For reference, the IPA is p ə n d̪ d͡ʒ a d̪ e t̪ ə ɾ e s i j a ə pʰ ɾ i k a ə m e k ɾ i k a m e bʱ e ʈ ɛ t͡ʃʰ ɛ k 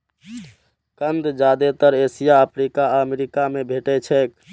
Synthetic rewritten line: k ə n d̪ d͡ʒ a d̪ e t̪ ə ɾ e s i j a ə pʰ ɾ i k a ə m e ɾ i k a m e bʱ e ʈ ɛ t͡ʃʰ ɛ k